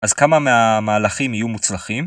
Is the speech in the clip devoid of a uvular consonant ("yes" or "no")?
no